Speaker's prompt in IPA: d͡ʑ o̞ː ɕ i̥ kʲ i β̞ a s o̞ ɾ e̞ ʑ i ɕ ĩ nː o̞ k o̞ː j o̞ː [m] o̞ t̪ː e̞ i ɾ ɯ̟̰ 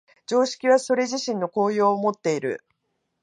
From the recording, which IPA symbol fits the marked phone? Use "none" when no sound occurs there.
m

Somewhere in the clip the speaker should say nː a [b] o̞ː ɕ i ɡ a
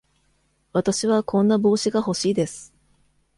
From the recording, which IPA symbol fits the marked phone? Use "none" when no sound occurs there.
b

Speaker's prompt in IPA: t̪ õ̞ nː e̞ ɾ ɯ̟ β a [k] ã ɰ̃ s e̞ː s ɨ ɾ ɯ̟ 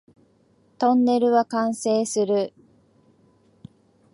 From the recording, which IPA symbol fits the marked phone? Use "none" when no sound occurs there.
k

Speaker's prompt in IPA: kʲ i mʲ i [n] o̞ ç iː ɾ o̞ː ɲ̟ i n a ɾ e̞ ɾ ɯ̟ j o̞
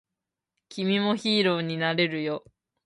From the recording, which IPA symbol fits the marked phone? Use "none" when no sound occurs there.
m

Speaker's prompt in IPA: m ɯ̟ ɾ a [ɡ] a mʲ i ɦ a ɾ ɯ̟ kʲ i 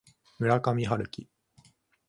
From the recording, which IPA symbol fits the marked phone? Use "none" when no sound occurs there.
k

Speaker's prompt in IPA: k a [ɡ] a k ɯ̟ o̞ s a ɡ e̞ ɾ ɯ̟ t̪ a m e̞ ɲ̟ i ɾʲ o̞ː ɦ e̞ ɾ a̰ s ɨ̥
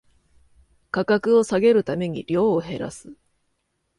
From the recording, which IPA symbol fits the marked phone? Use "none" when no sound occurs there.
k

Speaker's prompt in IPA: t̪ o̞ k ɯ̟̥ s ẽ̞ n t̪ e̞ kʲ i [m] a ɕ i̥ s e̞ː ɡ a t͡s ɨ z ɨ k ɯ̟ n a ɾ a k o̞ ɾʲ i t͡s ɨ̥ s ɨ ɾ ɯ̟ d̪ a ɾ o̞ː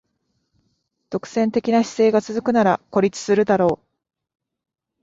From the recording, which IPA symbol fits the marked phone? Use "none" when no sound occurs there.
n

